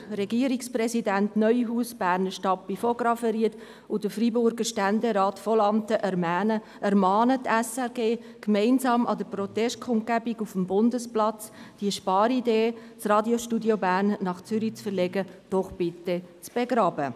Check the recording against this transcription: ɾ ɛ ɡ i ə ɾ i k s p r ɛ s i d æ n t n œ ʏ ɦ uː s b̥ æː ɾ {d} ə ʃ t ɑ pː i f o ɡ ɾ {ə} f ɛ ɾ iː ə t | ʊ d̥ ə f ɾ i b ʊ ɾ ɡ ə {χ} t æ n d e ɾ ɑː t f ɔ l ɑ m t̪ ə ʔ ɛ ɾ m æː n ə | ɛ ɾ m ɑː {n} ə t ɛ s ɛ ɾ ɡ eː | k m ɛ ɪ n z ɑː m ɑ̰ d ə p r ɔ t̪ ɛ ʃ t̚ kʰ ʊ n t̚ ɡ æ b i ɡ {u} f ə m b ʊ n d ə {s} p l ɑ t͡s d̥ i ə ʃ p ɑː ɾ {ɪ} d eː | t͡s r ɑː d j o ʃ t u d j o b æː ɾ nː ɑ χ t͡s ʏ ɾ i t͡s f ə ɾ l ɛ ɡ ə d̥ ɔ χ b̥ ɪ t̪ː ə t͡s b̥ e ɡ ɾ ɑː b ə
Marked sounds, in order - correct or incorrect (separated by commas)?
incorrect, incorrect, incorrect, correct, correct, correct, incorrect